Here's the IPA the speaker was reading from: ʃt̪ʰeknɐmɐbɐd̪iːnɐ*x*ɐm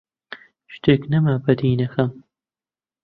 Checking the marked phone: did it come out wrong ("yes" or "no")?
no